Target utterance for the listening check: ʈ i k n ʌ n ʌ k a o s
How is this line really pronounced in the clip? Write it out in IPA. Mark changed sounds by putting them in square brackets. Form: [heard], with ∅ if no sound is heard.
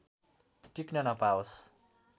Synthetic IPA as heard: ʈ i k n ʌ n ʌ [p] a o s